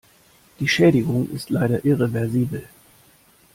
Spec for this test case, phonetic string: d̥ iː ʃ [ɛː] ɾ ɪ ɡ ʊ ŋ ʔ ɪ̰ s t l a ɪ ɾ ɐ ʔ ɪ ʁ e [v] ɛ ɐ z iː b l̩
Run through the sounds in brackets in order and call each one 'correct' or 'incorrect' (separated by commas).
correct, correct